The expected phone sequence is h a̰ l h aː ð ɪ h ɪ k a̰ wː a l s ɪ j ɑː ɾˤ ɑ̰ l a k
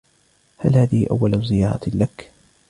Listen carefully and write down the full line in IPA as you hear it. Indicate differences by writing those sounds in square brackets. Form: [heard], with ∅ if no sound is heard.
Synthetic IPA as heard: h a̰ l h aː ð ɪ h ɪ [ʔ] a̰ wː a l [z] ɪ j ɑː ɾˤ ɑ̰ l a k